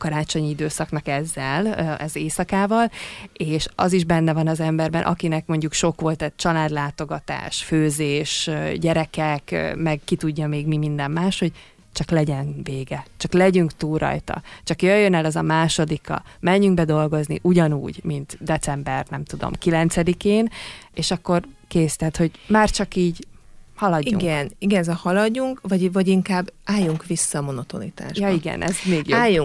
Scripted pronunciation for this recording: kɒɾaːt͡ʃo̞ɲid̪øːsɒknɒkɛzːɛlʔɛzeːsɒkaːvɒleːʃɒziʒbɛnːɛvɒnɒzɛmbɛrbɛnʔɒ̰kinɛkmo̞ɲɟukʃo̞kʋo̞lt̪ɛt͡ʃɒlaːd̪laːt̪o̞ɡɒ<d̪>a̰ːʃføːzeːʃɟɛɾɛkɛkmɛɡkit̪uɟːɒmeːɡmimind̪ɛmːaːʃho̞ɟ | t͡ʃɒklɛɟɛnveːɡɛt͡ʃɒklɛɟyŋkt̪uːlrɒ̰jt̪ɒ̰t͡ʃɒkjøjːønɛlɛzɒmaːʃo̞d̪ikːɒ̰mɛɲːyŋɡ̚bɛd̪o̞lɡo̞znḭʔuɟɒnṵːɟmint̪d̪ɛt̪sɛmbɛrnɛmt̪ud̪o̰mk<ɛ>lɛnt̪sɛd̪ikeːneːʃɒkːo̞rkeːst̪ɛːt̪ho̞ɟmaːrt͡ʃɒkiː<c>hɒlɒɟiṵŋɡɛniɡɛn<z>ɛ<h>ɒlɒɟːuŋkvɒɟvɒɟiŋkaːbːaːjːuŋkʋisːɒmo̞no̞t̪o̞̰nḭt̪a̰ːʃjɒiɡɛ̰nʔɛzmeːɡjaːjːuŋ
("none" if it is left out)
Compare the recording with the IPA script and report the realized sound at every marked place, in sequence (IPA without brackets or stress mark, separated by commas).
t̪, i, ɟ, z, h